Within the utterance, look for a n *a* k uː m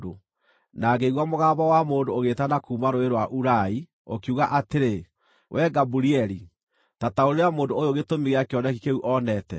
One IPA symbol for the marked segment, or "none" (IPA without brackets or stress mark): a